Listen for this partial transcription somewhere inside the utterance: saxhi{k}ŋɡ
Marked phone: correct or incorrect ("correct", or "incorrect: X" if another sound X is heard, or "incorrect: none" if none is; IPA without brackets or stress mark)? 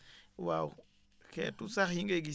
incorrect: none